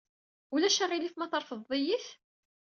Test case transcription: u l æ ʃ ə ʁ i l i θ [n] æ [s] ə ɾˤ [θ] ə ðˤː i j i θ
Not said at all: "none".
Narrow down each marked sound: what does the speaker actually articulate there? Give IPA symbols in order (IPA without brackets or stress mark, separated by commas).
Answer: m, θ, f